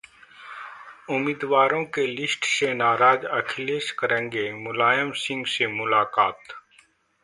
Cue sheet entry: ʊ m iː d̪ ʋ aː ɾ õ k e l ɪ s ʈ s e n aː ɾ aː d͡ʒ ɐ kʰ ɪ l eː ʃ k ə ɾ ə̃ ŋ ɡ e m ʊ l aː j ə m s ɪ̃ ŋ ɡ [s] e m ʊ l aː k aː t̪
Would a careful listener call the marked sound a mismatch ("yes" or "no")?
no